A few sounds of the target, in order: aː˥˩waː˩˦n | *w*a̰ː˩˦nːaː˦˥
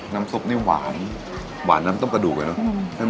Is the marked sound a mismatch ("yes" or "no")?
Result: no